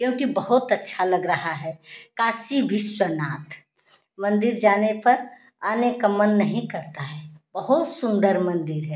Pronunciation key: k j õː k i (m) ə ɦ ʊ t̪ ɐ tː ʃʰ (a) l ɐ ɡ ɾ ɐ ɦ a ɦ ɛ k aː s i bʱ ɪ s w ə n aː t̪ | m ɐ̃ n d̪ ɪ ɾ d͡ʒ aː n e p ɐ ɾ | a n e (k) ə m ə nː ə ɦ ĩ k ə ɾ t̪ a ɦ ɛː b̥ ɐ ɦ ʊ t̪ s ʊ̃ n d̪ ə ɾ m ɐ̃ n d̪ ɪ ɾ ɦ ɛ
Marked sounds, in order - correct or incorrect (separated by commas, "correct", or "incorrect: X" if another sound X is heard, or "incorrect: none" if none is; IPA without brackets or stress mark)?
incorrect: b, correct, correct